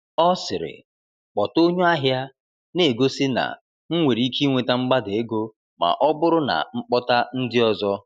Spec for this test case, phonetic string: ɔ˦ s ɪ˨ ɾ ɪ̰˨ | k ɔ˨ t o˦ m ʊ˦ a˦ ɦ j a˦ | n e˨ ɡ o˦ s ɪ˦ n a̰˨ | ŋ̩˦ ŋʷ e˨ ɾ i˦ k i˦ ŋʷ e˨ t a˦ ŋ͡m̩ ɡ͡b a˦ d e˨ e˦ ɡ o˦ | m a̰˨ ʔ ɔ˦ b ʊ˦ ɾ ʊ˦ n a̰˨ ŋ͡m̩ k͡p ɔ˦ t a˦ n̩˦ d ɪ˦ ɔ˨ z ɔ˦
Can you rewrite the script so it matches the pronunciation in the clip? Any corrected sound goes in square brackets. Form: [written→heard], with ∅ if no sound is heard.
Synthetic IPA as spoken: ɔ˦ s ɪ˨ ɾ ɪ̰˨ | [k→k͡p] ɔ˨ t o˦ [m→ɲ] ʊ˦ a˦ ɦ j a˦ | n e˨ ɡ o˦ s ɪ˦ n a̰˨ | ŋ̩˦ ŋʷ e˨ ɾ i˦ k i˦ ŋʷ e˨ t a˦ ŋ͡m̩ ɡ͡b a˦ d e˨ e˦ ɡ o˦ | m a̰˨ ʔ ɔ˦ b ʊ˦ ɾ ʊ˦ n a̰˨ ŋ͡m̩ k͡p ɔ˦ t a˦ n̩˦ d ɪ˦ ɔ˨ z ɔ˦